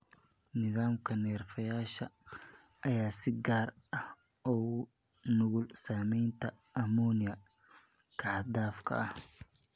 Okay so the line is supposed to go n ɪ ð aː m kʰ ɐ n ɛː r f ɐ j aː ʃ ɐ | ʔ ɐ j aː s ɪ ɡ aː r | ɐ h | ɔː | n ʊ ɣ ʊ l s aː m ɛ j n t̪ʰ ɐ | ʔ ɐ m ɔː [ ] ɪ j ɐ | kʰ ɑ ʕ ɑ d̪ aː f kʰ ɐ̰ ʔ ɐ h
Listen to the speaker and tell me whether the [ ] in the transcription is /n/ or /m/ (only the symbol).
n